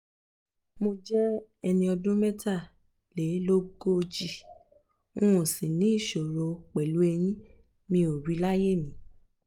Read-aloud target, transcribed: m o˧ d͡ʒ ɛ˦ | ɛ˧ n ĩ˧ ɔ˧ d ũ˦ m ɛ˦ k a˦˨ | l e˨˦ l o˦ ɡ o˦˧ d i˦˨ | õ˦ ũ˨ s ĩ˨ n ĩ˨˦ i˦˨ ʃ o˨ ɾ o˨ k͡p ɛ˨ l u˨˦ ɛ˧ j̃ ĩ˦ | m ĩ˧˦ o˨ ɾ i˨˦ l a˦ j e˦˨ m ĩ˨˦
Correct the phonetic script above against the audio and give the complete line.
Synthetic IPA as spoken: m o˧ d͡ʒ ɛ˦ | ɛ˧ n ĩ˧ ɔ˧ d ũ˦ m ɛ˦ t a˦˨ | l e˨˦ l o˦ ɡ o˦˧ d͡ʒ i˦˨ | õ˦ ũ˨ s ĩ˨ n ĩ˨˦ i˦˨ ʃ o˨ ɾ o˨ k͡p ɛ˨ l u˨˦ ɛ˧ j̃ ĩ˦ | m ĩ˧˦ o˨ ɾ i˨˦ l a˦ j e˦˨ m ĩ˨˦